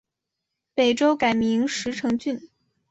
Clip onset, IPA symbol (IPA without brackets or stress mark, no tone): p